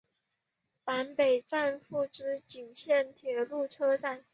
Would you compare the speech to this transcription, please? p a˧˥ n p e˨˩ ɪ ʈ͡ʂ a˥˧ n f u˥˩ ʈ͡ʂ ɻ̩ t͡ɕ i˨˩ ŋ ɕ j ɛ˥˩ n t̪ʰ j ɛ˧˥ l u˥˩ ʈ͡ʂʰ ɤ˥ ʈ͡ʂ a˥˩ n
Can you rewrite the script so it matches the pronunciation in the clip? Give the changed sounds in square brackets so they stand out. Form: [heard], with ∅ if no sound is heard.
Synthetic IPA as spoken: p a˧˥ n p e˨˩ ɪ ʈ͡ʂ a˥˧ n f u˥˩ ʈ͡ʂ ɻ̩ t͡ɕ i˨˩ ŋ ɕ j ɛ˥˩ n t̪ʰ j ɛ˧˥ l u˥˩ ʈ͡ʂʰ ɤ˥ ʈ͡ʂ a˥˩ n